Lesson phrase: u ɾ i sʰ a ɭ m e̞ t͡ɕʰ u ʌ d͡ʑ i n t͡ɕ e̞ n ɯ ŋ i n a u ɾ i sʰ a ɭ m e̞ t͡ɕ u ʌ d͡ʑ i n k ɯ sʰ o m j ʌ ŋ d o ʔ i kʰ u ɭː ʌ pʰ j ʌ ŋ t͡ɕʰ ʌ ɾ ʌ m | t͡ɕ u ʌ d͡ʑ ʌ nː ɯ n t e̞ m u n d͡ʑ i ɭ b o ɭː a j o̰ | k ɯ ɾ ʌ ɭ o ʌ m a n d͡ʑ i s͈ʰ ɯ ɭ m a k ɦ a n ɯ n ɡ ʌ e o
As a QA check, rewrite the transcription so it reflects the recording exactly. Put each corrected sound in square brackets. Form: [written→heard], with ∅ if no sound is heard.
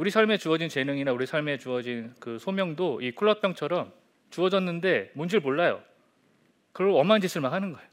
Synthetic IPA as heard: u ɾ i sʰ a ɭ m e̞ [t͡ɕʰ→t͡ɕ] u ʌ d͡ʑ i n t͡ɕ e̞ n ɯ ŋ i n a u ɾ i sʰ a ɭ m e̞ t͡ɕ u ʌ d͡ʑ i n k ɯ sʰ o m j ʌ ŋ d o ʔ i kʰ u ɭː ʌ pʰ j ʌ ŋ t͡ɕʰ ʌ ɾ ʌ m | t͡ɕ u ʌ d͡ʑ ʌ nː ɯ n [t→d] e̞ m u n d͡ʑ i ɭ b o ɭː a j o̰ | k ɯ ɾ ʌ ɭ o ʌ m a n d͡ʑ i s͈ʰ ɯ ɭ m a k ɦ a n ɯ n ɡ ʌ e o